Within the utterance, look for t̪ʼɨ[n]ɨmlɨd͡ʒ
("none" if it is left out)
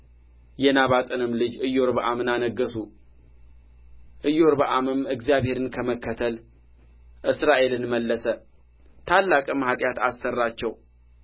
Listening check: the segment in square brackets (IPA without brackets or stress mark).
n